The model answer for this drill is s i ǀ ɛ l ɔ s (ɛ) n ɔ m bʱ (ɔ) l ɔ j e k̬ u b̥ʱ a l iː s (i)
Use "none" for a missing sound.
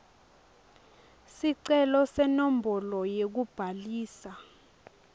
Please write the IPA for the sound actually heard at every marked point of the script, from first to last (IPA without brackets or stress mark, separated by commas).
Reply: ɛ, ɔ, a